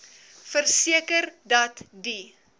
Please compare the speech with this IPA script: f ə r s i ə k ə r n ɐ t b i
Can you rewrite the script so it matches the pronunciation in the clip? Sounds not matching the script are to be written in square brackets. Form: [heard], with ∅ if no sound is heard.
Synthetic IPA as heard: f ə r s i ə k ə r [d] ɐ t [d] i